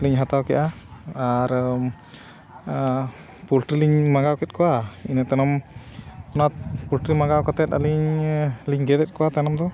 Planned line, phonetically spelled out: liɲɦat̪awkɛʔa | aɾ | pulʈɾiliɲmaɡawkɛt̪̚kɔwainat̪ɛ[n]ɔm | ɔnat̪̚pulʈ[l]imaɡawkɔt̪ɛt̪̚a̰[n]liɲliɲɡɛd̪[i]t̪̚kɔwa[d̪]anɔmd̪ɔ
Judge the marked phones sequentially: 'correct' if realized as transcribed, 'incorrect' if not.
correct, incorrect: ɾ, incorrect: none, incorrect: ɛ, incorrect: t̪

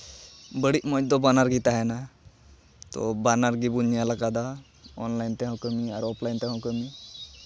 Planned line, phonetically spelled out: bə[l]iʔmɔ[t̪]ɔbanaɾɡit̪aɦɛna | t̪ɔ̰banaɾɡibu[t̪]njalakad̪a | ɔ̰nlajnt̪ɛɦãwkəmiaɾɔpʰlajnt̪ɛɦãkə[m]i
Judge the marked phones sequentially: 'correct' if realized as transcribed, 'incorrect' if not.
incorrect: ɽ, incorrect: d̪, incorrect: none, correct

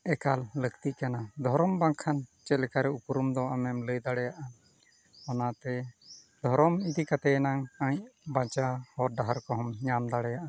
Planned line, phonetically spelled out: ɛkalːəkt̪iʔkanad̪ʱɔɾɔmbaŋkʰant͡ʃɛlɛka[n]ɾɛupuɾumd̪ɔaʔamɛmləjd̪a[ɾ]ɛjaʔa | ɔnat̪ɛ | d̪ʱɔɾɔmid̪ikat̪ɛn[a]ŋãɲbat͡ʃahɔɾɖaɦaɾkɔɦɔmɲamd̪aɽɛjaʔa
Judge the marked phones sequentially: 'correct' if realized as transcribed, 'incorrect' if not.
incorrect: none, incorrect: ɽ, correct

